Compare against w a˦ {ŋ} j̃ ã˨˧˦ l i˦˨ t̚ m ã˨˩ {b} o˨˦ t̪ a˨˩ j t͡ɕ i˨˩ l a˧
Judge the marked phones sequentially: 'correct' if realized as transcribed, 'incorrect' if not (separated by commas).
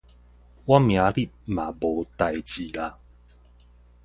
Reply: incorrect, correct